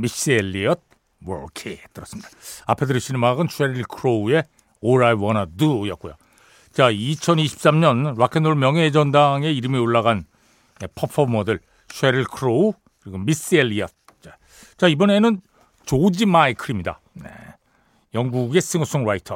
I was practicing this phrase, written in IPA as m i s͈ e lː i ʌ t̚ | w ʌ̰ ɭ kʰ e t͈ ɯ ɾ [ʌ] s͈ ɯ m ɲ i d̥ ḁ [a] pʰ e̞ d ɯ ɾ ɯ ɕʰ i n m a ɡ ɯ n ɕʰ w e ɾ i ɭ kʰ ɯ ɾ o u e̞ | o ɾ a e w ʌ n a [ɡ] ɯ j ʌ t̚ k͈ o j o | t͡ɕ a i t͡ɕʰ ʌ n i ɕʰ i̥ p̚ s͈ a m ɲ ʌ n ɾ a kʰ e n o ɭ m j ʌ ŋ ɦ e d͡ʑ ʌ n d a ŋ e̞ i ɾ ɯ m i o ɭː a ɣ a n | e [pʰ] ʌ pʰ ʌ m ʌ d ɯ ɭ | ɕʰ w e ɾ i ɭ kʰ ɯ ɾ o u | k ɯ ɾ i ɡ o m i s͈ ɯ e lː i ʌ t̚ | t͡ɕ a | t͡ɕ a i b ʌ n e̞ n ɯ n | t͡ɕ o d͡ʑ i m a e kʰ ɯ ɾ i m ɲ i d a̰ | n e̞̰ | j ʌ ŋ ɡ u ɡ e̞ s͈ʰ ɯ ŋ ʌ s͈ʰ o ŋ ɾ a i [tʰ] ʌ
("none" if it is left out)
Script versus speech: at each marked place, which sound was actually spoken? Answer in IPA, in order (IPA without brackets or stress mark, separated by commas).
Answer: ʌ, a, d, pʰ, tʰ